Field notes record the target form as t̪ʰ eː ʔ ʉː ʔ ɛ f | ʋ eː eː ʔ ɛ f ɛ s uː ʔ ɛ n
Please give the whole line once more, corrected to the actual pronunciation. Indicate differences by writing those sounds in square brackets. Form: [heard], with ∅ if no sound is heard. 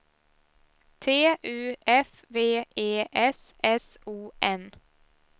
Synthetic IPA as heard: t̪ʰ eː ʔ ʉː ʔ ɛ f | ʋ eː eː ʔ ɛ [s] ɛ s uː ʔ ɛ n